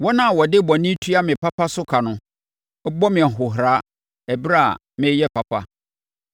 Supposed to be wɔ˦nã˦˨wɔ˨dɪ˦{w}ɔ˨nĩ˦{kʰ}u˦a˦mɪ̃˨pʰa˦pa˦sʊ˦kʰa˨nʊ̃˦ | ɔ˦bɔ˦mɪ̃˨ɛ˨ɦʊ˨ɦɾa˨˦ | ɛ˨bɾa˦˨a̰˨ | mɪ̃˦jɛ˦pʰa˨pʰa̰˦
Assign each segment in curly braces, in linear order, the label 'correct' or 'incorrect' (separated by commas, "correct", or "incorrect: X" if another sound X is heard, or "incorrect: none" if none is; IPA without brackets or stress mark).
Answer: incorrect: b, incorrect: tʰ